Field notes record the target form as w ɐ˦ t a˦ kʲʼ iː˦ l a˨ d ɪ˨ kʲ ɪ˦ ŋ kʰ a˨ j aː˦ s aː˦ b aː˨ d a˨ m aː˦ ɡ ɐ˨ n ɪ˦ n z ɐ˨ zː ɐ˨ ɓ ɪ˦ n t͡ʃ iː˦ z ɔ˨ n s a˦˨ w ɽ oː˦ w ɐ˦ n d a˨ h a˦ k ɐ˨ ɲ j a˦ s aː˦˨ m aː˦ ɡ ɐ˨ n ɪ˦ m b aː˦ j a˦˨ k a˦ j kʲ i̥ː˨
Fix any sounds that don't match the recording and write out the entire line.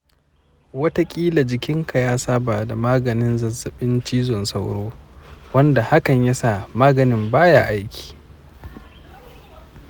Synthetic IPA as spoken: w ɐ˦ t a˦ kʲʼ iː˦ l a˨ d͡ʒ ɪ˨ kʲ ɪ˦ ŋ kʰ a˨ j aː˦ s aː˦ b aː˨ d a˨ m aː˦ ɡ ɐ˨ n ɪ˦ n z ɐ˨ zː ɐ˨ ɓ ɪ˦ n t͡ʃ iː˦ z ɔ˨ n s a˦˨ w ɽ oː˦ w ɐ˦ n d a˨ h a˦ k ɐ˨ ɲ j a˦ s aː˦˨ m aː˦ ɡ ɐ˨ n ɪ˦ m b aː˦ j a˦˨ ʔ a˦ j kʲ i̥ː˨